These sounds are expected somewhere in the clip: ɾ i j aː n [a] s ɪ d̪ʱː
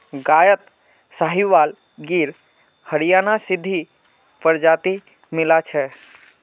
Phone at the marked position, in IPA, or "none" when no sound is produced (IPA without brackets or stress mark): a